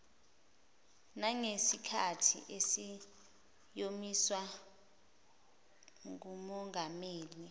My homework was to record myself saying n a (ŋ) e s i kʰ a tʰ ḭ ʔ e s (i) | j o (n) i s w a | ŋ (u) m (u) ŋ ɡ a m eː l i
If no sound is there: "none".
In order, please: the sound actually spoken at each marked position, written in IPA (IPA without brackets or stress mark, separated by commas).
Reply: ŋ, i, m, u, ɔ